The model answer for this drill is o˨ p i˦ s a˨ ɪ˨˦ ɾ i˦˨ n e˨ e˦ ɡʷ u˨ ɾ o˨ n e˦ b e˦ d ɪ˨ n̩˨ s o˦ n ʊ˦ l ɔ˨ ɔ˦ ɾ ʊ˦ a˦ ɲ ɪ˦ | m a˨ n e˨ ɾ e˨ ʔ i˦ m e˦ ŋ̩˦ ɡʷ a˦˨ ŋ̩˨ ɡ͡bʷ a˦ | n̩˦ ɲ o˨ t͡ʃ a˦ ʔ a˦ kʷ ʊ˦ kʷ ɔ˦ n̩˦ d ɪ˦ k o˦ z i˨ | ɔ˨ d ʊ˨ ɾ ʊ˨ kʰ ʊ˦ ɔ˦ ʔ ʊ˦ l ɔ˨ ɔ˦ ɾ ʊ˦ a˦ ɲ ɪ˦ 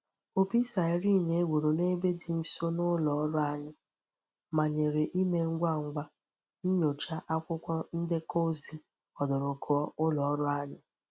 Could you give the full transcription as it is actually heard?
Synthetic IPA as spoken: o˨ p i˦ s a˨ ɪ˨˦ ɾ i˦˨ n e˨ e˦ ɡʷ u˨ ɾ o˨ n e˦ b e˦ d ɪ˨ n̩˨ s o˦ n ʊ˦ l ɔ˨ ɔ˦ ɾ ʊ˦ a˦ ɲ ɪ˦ | m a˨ ɲ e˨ ɾ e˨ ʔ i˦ m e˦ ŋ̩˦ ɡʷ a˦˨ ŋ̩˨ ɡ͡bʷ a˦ | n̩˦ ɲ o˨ t͡ʃ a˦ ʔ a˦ kʷ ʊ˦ kʷ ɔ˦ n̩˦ d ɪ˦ k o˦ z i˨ | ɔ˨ d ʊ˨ ɾ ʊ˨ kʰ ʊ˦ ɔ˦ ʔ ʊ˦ l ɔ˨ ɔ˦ ɾ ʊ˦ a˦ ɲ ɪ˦